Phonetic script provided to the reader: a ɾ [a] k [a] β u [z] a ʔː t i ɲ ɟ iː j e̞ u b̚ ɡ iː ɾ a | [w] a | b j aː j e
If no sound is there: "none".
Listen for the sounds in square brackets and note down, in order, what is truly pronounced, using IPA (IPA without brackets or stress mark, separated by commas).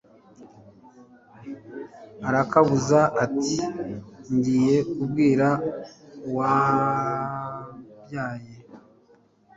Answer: a, a, z, w